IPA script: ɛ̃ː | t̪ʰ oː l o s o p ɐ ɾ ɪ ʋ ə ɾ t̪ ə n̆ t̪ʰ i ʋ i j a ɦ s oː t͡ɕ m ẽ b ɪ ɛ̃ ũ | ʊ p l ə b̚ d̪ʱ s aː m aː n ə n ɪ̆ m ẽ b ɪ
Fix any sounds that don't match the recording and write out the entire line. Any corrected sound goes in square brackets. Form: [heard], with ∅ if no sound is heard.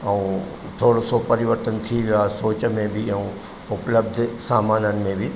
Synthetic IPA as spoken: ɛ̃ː | t̪ʰ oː [ɽ] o s o p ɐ ɾ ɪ ʋ ə ɾ t̪ ə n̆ t̪ʰ i ʋ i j a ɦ s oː t͡ɕ m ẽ b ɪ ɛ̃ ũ | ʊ p l ə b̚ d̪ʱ s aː m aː n ə n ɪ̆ m ẽ b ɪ